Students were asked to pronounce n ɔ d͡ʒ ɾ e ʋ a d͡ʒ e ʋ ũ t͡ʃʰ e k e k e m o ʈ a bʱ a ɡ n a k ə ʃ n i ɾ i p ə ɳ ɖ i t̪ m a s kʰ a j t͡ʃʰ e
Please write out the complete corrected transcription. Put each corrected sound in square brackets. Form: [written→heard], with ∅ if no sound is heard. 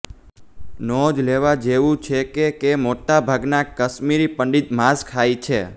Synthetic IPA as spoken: n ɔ d͡ʒ [ɾ→l] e ʋ a d͡ʒ e ʋ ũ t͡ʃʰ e k e k e m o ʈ a bʱ a ɡ n a k ə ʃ [n→m] i ɾ i p ə ɳ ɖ i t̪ m a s kʰ a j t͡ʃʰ e